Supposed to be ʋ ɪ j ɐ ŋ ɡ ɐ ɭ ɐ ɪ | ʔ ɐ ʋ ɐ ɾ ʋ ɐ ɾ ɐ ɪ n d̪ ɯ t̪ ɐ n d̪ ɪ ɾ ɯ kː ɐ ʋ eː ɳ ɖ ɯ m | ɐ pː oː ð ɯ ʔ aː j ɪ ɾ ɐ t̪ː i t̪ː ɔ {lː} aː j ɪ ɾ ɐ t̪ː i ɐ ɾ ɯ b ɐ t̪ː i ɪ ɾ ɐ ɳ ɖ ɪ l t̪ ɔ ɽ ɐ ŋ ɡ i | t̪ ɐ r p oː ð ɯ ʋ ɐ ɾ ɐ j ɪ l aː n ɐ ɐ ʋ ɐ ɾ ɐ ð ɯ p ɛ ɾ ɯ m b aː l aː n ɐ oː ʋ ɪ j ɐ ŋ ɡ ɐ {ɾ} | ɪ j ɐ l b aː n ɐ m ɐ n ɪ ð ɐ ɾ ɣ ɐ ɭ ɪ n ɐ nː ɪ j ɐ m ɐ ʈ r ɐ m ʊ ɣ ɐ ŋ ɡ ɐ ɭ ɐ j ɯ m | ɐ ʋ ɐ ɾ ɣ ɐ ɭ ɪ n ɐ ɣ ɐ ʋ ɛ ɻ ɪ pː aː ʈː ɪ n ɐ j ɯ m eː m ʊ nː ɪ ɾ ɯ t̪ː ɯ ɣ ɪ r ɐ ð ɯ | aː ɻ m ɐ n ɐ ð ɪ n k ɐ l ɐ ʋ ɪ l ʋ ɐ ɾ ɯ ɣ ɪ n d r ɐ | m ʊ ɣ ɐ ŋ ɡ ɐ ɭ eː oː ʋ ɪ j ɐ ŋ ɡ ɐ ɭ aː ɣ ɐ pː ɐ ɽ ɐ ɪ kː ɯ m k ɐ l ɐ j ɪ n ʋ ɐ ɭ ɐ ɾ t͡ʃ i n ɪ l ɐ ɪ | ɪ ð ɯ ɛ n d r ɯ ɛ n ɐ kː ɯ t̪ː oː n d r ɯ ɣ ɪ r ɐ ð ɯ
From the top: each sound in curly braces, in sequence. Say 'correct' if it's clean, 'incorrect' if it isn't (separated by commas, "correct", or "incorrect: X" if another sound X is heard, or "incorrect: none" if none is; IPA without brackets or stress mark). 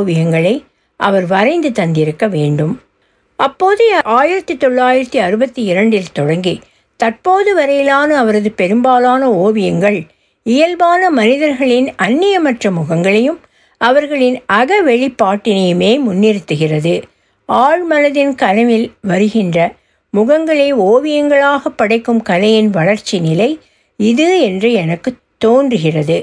incorrect: ɭː, incorrect: ɭ